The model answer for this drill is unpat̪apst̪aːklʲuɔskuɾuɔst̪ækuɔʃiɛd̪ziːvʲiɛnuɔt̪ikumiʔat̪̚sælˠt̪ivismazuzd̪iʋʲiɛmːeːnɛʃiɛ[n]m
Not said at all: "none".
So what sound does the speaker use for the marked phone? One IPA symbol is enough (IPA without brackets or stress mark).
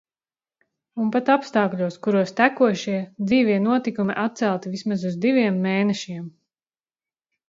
none